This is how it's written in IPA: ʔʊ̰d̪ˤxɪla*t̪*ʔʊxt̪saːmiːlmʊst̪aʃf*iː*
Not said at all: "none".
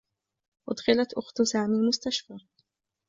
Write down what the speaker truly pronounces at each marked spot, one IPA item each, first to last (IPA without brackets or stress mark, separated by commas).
t̪, aː